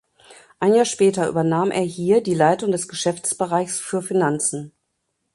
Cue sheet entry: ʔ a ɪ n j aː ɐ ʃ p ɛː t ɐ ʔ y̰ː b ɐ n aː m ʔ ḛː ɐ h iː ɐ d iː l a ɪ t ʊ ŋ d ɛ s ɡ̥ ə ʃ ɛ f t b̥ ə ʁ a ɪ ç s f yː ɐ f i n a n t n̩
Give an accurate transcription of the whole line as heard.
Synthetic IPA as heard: ʔ a ɪ n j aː ɐ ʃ p ɛː t ɐ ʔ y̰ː b ɐ n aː m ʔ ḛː ɐ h iː ɐ d iː l a ɪ t ʊ ŋ d ɛ s ɡ̥ ə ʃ ɛ f t͡s b̥ ə ʁ a ɪ ç s f yː ɐ f i n a n t͡s n̩